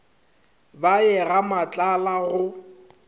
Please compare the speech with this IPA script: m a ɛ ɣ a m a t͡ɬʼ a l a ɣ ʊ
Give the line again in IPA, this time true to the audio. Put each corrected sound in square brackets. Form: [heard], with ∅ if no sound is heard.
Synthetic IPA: [b] a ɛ ɣ a m a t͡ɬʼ a l a ɣ ʊ